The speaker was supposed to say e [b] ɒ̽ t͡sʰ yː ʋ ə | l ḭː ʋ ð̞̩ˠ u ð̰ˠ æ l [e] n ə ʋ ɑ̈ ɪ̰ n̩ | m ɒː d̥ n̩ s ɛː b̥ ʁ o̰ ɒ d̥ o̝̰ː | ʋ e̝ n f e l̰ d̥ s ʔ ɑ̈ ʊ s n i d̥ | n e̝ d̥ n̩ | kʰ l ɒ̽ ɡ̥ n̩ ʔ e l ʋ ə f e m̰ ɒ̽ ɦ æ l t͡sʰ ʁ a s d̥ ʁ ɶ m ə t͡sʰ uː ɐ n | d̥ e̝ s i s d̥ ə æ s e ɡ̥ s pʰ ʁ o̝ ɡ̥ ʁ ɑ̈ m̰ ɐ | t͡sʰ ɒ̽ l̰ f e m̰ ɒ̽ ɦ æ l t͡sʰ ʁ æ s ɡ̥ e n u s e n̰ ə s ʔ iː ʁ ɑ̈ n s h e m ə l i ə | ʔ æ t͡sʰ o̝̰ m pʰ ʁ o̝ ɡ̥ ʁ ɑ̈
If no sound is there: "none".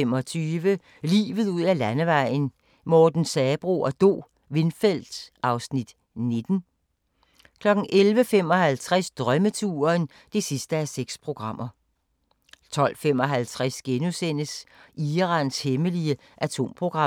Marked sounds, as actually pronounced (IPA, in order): m, æ

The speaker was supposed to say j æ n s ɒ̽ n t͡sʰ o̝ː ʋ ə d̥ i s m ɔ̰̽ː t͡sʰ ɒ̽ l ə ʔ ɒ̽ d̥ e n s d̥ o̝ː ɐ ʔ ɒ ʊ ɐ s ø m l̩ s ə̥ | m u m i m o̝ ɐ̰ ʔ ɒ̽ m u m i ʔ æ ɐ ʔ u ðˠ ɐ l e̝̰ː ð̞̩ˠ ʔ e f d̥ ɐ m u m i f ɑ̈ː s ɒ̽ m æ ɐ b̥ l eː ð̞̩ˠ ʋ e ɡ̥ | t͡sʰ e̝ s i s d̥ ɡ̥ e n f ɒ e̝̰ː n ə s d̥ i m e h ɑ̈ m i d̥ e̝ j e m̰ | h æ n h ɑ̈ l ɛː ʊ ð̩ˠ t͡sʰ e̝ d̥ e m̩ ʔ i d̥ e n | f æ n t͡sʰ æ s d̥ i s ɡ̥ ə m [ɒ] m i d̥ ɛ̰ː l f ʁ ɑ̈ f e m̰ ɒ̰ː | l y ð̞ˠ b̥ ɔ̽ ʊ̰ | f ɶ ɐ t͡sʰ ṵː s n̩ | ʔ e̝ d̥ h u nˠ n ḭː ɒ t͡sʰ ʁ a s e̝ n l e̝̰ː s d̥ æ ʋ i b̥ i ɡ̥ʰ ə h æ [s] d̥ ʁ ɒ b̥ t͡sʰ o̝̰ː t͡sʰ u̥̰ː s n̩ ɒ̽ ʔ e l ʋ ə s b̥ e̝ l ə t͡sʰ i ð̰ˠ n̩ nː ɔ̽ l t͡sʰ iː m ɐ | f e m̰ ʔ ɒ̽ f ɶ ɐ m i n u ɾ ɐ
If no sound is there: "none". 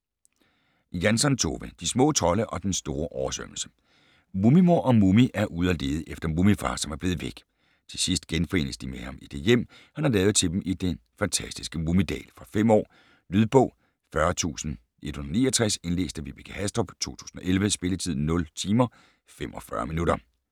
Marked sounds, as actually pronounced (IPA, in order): u, s

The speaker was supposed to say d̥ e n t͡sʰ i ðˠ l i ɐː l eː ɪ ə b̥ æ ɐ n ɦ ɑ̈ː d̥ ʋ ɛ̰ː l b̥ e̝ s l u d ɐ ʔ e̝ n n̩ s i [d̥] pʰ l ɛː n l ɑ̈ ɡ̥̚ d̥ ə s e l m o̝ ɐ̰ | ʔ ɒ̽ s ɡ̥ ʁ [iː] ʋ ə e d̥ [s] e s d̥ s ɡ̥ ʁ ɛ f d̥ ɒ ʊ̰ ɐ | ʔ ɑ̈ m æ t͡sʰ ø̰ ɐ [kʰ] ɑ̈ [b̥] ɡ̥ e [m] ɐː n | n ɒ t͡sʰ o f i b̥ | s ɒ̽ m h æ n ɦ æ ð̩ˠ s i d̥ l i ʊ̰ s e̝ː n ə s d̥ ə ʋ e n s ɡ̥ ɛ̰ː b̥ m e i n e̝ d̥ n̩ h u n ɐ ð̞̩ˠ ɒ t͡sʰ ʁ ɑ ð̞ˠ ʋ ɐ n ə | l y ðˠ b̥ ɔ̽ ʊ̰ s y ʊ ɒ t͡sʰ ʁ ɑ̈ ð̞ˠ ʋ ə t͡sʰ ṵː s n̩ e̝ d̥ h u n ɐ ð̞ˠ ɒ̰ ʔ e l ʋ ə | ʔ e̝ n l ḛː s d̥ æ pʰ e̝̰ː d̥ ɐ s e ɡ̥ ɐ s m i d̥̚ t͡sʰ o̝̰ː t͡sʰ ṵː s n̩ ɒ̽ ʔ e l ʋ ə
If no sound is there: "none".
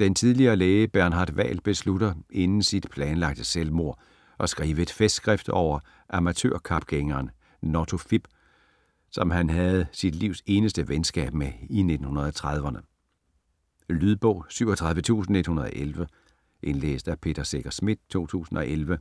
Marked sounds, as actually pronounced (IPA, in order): d̥, iː, f, kʰ, b̥, ŋ

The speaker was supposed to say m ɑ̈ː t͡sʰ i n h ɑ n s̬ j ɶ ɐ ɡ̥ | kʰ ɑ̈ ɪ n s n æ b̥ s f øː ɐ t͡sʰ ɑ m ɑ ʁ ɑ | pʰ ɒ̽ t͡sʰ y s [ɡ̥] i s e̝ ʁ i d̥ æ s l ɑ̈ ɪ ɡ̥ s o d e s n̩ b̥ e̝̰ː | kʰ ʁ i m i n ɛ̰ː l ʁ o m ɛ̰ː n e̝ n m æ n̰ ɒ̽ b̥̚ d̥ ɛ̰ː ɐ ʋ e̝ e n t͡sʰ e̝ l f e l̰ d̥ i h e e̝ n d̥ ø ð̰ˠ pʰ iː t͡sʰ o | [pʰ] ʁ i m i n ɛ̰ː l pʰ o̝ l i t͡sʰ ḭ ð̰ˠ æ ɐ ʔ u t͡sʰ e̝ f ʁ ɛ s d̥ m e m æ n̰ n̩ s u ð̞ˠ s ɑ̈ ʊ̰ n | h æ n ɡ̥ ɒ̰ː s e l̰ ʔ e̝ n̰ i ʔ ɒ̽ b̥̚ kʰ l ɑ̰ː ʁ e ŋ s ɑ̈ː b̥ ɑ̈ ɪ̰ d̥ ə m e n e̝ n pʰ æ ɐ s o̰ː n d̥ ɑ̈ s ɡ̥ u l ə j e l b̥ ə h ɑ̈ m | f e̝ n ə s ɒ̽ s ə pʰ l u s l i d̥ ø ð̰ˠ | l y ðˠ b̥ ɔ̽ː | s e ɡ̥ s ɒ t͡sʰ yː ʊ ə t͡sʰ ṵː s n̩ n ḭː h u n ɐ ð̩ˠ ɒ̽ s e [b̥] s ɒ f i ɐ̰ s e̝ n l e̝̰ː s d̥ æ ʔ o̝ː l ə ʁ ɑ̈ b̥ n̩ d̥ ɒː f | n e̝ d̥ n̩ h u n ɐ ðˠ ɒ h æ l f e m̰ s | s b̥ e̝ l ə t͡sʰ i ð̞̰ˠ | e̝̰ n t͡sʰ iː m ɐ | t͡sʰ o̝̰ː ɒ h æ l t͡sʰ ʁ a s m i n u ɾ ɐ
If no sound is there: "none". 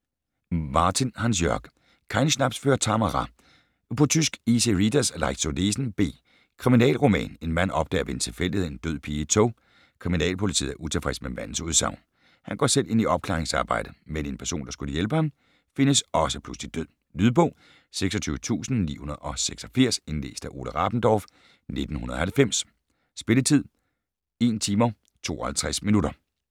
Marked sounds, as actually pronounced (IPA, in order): ɡ̥, kʰ, ɡ̥

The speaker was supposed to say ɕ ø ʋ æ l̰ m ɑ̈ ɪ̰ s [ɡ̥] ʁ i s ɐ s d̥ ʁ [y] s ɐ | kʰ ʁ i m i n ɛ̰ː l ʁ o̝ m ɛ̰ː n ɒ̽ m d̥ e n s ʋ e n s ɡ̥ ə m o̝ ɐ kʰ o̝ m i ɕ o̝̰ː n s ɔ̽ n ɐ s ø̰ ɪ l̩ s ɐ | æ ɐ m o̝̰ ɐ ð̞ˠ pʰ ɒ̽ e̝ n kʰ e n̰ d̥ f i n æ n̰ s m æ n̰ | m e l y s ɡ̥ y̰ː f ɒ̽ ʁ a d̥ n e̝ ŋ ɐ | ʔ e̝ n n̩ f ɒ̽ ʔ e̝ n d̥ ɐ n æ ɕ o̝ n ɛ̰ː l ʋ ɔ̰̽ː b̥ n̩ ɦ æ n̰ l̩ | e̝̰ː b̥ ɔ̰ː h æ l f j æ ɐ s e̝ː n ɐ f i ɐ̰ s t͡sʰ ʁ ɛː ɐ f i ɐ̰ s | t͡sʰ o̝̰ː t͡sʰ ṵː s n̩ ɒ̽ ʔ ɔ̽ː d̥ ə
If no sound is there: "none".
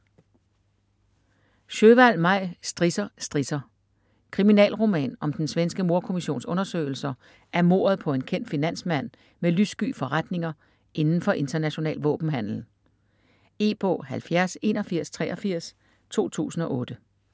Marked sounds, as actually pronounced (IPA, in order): d̥, i

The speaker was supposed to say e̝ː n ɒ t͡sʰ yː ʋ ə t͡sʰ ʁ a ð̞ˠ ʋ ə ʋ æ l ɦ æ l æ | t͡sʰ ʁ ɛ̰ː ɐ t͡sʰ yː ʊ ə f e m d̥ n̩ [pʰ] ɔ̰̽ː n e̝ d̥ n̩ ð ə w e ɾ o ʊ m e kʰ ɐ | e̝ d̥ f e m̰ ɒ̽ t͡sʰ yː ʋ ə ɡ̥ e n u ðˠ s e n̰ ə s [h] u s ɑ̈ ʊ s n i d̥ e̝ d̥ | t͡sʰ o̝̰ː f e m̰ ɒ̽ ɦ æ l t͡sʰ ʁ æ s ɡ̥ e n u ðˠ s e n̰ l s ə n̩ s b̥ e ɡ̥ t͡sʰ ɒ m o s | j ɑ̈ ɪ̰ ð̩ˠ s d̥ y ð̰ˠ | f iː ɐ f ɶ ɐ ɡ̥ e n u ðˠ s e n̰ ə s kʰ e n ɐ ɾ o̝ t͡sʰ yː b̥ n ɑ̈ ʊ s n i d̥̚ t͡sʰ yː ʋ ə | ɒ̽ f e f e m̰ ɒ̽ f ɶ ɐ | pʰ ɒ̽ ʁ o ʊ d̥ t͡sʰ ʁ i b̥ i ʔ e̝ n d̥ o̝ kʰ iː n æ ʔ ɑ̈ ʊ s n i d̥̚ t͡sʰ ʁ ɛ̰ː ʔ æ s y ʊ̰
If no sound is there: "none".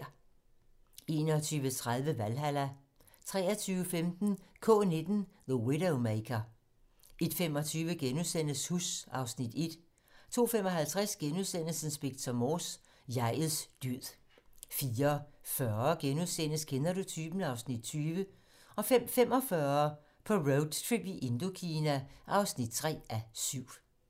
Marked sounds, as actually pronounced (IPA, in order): kʰ, h

